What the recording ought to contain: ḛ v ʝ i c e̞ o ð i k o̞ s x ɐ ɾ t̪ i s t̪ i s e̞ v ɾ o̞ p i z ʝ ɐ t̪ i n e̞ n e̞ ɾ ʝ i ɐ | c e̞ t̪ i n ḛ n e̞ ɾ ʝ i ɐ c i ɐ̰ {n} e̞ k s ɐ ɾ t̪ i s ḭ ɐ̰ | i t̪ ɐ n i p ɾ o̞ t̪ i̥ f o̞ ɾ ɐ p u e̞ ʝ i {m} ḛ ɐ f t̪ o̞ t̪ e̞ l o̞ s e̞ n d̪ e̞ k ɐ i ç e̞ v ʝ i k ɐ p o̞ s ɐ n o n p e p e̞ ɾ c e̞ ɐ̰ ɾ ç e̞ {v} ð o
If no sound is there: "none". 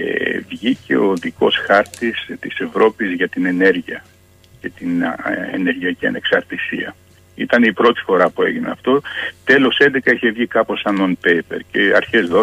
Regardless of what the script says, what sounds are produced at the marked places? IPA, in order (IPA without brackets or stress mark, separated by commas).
n, n, z